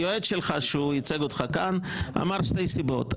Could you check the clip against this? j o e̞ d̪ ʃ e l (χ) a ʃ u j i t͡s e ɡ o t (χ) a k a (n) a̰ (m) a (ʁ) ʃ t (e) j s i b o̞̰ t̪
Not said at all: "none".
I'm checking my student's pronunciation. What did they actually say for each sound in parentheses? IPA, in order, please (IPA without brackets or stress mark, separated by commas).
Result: χ, χ, n, m, ʁ, e